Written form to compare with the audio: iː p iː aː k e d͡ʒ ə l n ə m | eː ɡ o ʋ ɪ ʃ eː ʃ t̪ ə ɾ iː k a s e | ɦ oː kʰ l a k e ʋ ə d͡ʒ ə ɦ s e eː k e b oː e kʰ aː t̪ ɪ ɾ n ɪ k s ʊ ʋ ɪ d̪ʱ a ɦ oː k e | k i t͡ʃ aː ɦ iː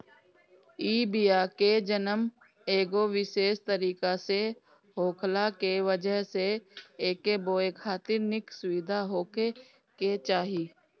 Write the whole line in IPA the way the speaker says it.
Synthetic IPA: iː b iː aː k e d͡ʒ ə n ə m | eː ɡ o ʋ ɪ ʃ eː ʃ t̪ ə ɾ iː k a s e | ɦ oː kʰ l a k e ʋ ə d͡ʒ ə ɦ s e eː k e b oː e kʰ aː t̪ ɪ ɾ n ɪ k s ʊ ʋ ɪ d̪ʱ a ɦ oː k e | k e t͡ʃ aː ɦ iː